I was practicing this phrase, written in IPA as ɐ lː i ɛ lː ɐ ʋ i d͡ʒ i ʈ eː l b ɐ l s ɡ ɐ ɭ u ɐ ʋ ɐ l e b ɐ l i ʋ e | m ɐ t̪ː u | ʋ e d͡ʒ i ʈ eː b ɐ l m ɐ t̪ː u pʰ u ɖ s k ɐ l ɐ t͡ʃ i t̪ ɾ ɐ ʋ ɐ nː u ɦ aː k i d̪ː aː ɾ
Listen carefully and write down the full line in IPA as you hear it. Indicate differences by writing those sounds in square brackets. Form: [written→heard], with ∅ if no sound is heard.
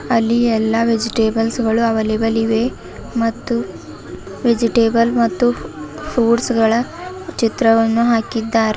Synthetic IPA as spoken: ɐ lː i ɛ lː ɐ ʋ [i→e] d͡ʒ i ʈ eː [l→∅] b ɐ l s ɡ ɐ ɭ u ɐ ʋ ɐ l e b ɐ l i ʋ e | m ɐ t̪ː u | ʋ e d͡ʒ i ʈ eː b ɐ l m ɐ t̪ː u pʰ [u→uː] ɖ s [k→ɡ] ɐ [l→ɭ] ɐ t͡ʃ i t̪ ɾ ɐ ʋ ɐ nː u ɦ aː k i d̪ː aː ɾ